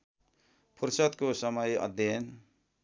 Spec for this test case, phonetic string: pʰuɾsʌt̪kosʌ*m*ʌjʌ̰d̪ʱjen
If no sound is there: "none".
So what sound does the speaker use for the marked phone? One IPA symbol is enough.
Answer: m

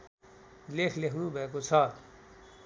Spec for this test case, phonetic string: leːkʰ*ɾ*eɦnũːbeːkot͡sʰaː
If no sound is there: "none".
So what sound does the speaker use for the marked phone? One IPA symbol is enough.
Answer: l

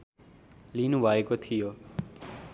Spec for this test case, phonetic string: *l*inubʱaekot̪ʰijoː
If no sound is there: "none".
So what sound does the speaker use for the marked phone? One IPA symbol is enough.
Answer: l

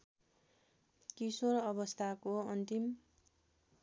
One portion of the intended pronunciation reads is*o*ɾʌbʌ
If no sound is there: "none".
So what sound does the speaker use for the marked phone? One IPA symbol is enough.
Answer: o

